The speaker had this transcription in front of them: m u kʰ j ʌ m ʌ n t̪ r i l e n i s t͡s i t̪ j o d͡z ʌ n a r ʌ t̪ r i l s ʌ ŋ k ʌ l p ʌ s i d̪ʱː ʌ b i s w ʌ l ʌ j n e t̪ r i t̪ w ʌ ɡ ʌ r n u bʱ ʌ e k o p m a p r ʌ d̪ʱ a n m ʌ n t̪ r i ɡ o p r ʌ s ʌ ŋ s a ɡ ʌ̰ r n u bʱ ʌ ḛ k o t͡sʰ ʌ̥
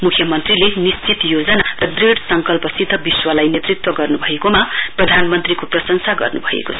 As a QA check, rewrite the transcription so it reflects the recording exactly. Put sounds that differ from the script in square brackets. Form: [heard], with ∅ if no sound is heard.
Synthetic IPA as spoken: m u kʰ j ʌ m ʌ n t̪ r i l e n i s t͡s i t̪ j o d͡z ʌ n a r ʌ [d̪] r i [ɽ] s ʌ ŋ k ʌ l p ʌ s i d̪ʱː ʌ b i s w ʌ l [a] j n e t̪ r i t̪ w ʌ ɡ ʌ r n u bʱ ʌ e k o [∅] m a p r ʌ d̪ʱ a n m ʌ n t̪ r i [k] o p r ʌ s ʌ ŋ s a ɡ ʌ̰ r n u bʱ ʌ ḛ k o t͡sʰ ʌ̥

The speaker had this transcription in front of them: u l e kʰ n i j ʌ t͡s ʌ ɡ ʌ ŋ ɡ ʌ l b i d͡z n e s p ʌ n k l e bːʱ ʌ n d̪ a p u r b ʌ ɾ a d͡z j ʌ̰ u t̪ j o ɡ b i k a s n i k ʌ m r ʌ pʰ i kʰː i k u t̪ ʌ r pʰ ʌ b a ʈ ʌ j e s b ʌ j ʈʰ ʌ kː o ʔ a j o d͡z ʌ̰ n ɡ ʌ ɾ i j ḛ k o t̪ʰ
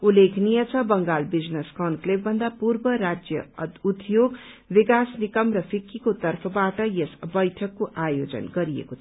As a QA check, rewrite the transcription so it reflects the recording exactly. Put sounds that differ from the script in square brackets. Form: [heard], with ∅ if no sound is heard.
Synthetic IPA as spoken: u l e kʰ n i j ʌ [t͡sʰ] ʌ [b] ʌ ŋ ɡ [a] l b i d͡z n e s [k] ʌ n k l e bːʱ ʌ n d̪ a p u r b ʌ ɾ a d͡z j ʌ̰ u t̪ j o ɡ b i k a s n i k ʌ m r ʌ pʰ i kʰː i k [o] t̪ ʌ r pʰ ʌ b a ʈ ʌ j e s b ʌ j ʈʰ ʌ kː o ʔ a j o d͡z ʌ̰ n ɡ ʌ ɾ i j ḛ k o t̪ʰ

